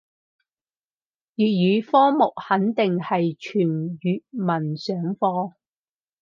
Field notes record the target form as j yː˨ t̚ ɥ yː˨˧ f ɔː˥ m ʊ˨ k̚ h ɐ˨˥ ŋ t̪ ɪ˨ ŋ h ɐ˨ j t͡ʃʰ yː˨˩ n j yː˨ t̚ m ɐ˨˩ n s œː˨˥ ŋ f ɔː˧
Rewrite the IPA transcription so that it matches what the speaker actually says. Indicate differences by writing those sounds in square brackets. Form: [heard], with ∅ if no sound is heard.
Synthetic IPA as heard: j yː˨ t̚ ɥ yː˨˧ f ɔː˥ m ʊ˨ k̚ h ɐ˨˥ [n] t̪ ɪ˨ ŋ h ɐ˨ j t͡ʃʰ yː˨˩ n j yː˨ t̚ m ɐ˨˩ n s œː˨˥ ŋ f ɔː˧

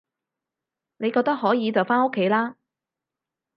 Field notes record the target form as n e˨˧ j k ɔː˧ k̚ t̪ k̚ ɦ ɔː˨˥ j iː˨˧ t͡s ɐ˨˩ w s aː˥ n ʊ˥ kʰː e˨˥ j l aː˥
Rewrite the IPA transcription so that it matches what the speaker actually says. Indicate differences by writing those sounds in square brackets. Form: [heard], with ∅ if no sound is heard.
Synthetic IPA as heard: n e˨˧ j k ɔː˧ k̚ t̪ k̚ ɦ ɔː˨˥ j iː˨˧ t͡s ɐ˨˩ w [f] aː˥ n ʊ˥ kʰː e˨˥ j l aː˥

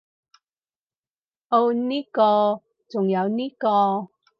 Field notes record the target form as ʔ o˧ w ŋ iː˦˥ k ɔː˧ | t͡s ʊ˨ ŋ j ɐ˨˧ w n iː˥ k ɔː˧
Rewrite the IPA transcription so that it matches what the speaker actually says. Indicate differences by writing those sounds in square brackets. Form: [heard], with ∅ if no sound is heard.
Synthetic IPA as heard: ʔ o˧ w [n] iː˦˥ k ɔː˧ | t͡s ʊ˨ ŋ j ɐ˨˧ w n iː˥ k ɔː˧

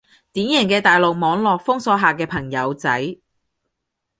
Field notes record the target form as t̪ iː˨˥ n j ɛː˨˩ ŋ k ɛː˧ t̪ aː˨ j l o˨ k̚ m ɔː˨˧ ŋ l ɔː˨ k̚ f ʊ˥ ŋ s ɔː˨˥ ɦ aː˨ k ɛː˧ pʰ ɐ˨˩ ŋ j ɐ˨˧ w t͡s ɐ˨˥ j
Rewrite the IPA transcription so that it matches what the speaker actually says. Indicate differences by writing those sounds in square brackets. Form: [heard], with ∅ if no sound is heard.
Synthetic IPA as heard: t̪ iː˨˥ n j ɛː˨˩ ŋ k ɛː˧ t̪ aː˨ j l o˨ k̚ m ɔː˨˧ ŋ l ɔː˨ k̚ f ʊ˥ ŋ s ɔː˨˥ ɦ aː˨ k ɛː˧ pʰ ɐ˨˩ ŋ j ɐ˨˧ w t͡s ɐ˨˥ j

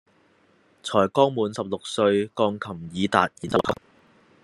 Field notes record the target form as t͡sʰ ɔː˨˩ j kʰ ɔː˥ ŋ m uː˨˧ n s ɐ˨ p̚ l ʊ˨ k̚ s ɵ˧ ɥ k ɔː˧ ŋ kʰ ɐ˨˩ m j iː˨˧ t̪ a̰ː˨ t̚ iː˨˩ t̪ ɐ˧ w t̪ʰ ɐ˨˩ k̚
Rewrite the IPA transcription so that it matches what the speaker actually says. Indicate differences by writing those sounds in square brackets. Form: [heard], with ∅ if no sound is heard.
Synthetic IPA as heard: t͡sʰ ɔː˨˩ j [k] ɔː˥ ŋ m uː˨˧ n s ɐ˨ p̚ l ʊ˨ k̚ s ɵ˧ ɥ k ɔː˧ ŋ kʰ ɐ˨˩ m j iː˨˧ t̪ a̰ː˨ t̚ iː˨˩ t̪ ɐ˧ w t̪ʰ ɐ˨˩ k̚

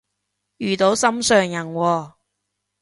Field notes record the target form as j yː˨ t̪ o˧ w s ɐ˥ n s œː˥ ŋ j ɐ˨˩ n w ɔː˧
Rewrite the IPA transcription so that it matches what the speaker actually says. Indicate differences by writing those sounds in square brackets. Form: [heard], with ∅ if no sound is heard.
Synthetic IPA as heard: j yː˨ t̪ [o˨˥] w s ɐ˥ [m] s [œː˨] ŋ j ɐ˨˩ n w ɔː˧

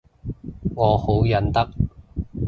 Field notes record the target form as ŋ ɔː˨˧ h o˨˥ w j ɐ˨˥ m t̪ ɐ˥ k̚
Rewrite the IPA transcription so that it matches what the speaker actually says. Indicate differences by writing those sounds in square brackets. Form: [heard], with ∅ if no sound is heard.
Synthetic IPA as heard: ŋ ɔː˨˧ h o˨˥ w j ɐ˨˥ [n] t̪ ɐ˥ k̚

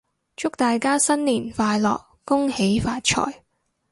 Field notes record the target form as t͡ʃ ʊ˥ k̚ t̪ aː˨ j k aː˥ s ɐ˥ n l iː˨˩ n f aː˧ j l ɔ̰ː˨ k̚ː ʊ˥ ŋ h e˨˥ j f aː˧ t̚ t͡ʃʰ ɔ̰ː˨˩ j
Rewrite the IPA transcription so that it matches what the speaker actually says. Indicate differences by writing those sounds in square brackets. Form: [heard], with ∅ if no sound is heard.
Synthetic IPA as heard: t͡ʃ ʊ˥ k̚ t̪ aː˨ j k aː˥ s ɐ˥ n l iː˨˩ n f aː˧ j l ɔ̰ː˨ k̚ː ʊ˥ ŋ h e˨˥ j f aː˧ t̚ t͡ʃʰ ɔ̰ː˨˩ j

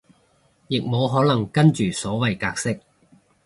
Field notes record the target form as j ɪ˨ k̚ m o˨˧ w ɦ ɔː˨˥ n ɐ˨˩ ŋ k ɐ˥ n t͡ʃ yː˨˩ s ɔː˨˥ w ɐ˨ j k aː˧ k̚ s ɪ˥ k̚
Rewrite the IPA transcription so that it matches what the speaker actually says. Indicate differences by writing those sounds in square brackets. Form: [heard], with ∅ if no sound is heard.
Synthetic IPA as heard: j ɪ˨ k̚ m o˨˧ w ɦ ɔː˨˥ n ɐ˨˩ ŋ k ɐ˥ n t͡ʃ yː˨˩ s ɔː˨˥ w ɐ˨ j k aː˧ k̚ s ɪ˥ k̚

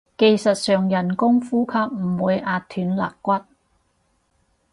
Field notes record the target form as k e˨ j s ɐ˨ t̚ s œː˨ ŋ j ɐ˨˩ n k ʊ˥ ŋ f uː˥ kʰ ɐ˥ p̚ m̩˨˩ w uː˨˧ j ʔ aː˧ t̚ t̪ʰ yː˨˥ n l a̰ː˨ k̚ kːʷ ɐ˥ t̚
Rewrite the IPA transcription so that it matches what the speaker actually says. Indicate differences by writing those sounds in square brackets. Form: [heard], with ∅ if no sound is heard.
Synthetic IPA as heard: k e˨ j s ɐ˨ t̚ s œː˨ ŋ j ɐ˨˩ n k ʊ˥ ŋ f uː˥ kʰ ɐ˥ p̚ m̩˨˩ w uː˨˧ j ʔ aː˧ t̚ t̪ʰ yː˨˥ n l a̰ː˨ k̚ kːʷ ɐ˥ t̚

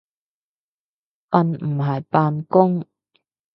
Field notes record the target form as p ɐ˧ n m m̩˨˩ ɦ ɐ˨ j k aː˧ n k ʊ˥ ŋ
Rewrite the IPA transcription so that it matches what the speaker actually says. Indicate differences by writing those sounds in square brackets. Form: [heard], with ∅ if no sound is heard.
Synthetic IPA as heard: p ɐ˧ n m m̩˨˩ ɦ ɐ˨ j [p] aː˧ n k ʊ˥ ŋ

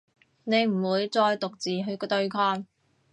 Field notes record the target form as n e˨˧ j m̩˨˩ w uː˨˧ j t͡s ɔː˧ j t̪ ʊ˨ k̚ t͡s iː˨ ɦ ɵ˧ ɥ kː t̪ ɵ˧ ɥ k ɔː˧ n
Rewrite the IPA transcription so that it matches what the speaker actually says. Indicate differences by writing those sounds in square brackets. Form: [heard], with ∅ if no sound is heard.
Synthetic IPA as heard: n e˨˧ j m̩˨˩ w uː˨˧ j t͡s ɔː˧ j t̪ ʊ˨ k̚ t͡s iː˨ ɦ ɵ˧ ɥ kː t̪ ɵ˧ ɥ [kʰ] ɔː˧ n

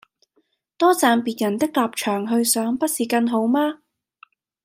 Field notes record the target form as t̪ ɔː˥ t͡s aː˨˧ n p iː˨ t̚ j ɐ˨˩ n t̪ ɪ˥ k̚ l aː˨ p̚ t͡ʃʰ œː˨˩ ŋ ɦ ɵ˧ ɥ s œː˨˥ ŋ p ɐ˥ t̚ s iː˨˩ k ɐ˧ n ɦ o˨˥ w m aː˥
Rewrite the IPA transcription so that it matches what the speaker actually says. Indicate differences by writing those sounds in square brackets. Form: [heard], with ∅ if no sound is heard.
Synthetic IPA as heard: t̪ ɔː˥ t͡s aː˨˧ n p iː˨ t̚ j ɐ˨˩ n t̪ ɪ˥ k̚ l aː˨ p̚ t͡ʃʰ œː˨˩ ŋ ɦ ɵ˧ ɥ s œː˨˥ ŋ p ɐ˥ t̚ s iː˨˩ k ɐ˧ n ɦ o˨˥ w m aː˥

